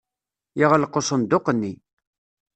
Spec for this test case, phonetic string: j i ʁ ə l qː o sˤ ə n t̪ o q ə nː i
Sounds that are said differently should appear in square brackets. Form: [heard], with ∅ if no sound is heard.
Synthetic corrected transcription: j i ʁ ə l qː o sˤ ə n [d̪] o q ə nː i